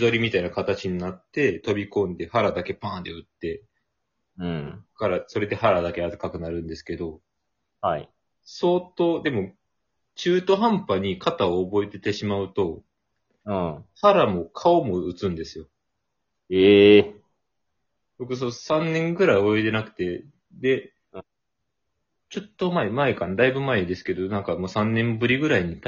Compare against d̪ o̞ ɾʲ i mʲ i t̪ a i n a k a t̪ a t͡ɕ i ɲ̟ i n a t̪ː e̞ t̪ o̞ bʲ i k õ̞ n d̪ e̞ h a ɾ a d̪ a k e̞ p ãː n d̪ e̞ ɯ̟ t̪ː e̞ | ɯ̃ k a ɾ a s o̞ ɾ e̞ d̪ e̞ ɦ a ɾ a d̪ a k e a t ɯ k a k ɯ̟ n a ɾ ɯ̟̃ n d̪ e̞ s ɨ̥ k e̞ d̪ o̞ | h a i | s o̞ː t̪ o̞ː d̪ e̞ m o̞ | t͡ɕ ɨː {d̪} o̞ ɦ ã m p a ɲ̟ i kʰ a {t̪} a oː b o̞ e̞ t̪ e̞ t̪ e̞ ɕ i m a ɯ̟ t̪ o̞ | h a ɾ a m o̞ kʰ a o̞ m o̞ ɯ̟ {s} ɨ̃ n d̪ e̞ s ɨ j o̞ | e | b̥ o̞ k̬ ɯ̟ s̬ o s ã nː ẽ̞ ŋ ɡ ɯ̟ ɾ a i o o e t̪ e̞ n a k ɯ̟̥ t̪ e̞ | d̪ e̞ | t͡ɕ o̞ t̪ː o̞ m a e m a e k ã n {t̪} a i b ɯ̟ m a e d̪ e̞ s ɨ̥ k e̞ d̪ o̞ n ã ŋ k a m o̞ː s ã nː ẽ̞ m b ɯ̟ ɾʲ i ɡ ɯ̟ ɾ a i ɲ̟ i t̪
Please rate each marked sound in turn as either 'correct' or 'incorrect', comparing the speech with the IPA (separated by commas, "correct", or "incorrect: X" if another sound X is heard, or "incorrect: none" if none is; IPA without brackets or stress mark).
incorrect: t̪, correct, incorrect: t͡s, incorrect: d̪